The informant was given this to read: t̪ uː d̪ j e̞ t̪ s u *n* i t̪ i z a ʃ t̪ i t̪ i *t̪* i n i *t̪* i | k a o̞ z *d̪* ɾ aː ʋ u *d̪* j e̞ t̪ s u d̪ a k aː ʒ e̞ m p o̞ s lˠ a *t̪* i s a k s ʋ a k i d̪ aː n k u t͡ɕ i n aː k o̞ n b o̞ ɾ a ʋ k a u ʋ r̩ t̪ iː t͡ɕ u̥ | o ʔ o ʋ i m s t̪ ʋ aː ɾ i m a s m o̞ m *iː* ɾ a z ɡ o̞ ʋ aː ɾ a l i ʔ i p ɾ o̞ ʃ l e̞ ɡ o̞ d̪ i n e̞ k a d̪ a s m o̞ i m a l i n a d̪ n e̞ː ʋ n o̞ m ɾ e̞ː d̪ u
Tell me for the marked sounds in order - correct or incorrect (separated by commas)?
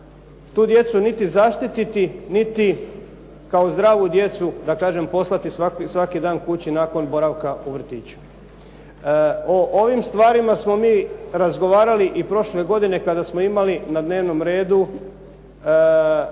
correct, correct, correct, correct, correct, correct, correct